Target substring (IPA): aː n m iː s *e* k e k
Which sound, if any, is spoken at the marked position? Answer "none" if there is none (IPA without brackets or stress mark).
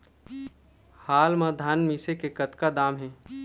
e